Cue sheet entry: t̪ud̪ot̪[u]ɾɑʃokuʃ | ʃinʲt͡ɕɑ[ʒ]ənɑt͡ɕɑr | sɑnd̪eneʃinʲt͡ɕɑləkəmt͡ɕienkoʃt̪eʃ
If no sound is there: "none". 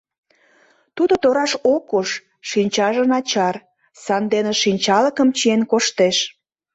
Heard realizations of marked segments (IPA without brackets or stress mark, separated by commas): o, ʒ